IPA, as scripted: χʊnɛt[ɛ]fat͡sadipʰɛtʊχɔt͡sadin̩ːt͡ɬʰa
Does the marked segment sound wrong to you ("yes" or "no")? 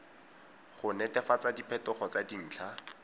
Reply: no